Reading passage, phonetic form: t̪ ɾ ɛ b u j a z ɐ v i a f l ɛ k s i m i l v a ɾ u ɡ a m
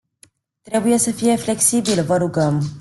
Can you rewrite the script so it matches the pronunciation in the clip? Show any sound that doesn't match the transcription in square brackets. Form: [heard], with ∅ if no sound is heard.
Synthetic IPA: t̪ ɾ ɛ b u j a [s] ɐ [f] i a f l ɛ k s i [b] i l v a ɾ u ɡ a m